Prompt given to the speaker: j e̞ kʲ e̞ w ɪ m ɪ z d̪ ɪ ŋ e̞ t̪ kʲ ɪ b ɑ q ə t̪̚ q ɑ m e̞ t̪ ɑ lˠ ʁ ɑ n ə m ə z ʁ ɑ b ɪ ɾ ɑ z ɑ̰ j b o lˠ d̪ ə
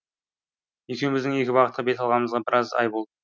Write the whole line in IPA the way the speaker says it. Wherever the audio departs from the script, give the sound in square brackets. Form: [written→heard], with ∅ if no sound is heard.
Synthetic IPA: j e̞ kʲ e̞ w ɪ m ɪ z d̪ ɪ ŋ e̞ [t̪→∅] kʲ ɪ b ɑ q ə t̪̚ q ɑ [m→b] e̞ t̪ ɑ lˠ ʁ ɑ n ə m ə z ʁ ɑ b ɪ ɾ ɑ z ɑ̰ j b o lˠ d̪ ə